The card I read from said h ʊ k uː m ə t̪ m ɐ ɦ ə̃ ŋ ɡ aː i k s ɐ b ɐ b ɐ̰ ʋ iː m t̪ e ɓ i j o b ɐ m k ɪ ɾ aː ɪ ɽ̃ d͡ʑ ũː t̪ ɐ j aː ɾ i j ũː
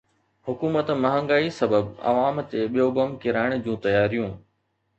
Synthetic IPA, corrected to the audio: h ʊ k uː m ə t̪ m ɐ ɦ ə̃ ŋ ɡ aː i s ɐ b ə b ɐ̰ ʋ aː m t̪ e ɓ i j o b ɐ m k ɪ ɾ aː ɪ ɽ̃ d͡ʑ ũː t̪ ɐ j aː ɾ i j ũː